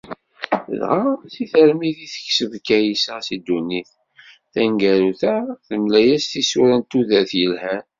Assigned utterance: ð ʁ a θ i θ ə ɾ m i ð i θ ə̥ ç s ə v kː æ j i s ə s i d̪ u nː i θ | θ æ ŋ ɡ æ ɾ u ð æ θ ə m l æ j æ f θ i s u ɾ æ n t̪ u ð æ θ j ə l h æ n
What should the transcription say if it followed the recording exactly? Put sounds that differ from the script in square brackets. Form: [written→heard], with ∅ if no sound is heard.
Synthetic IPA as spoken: ð ʁ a θ i θ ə ɾ m i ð i θ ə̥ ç s ə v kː æ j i s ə s i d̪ u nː i θ | θ æ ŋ ɡ æ ɾ u [ð→θ] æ θ ə m l æ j æ [f→s] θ i s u ɾ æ n t̪ u ð æ θ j ə l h æ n